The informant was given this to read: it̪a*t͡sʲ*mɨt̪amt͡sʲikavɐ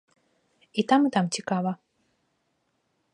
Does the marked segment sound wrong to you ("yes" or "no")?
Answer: yes